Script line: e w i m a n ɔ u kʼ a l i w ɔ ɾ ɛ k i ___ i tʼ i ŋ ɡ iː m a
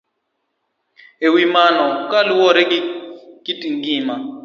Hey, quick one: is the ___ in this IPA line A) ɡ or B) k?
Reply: B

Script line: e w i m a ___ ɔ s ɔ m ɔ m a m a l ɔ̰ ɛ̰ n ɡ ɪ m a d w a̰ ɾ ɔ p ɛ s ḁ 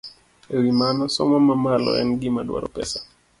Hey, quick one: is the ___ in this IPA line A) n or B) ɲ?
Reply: A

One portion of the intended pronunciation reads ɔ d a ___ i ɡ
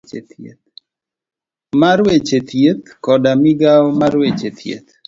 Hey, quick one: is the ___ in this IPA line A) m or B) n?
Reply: A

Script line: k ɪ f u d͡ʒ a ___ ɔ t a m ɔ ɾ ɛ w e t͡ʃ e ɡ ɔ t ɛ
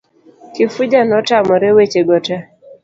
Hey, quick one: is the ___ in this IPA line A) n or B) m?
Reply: A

